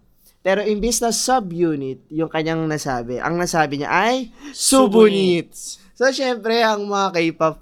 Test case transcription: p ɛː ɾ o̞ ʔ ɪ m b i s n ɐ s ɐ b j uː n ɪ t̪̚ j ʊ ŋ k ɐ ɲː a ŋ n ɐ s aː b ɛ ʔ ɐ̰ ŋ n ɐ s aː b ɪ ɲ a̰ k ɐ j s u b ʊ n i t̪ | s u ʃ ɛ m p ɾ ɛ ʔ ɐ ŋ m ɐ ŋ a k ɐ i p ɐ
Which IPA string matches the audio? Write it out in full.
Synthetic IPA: p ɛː ɾ o̞ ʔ ɪ m b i s n ɐ s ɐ b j uː n ɪ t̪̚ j ʊ ŋ k ɐ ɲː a ŋ n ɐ s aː b ɛ ʔ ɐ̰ ŋ n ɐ s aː b ɪ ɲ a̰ ʔ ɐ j s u b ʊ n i t̪ | s o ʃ ɛ m p ɾ ɛ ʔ ɐ ŋ m ɐ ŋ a k ɐ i p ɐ